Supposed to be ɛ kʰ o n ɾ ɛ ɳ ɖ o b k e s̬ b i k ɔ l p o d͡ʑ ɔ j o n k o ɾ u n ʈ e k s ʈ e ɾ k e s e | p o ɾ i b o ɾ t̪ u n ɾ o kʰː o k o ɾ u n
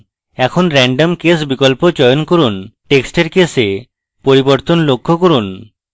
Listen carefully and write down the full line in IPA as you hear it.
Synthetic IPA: ɛ kʰ o n ɾ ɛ ɳ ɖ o m k e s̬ b i k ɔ l p o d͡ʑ ɔ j o n k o ɾ u n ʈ e k s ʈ e ɾ k e s e | p o ɾ i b o ɾ t̪ o n l o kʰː o k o ɾ u n

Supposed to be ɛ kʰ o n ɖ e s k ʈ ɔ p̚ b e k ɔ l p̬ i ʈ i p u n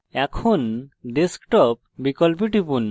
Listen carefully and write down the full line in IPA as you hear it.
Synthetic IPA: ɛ kʰ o n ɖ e s k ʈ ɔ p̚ b i k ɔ l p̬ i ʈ i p u n

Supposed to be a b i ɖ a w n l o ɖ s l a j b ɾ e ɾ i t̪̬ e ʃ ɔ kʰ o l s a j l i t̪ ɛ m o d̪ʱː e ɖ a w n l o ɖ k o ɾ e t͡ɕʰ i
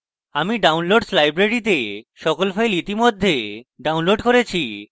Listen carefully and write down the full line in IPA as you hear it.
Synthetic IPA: a m i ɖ a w n l o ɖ s l a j b ɾ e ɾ i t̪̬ e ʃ ɔ k o l f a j l i t̪ i m o d̪ʱː e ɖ a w n l o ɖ k o ɾ e t͡ɕʰ i

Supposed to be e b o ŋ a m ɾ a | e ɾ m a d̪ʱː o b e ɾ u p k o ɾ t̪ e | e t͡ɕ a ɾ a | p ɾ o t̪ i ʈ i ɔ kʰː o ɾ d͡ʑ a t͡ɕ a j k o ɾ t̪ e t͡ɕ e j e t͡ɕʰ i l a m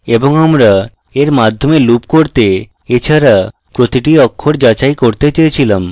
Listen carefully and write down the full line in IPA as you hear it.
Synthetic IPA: e b o ŋ a m ɾ a | e ɾ m a d̪ʱː o m e l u p k o ɾ t̪ e | e t͡ɕʰ a ɾ a | p ɾ o t̪ i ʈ i ɔ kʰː o ɾ d͡ʑ a t͡ɕ a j k o ɾ t̪ e t͡ɕ e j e t͡ɕʰ i l a m

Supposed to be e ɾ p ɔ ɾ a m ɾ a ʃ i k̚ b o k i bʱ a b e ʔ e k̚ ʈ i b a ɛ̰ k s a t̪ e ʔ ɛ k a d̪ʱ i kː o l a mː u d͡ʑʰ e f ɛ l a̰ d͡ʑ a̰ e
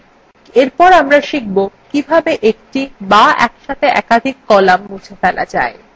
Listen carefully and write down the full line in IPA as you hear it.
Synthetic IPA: e ɾ p ɔ ɾ a m ɾ a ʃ i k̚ b o k i bʱ a b e ʔ e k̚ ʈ i b a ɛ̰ k ʃ a t̪ e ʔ ɛ k a d̪ʱ i kː ɔ l a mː u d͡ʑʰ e f ɛ l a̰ d͡ʑ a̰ e

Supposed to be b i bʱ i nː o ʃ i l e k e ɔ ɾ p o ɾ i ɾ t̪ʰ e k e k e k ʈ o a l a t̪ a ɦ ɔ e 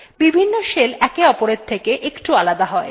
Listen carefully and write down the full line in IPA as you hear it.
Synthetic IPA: b i bʱ i nː o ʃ e l ɛ k e ɔ p o ɾ e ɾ t̪ʰ e k e ʔ e k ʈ u a l a d̪ a ɦ ɔ e

